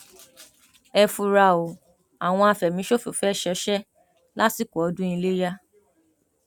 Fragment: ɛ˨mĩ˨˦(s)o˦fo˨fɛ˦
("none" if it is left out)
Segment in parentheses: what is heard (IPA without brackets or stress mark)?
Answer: ʃ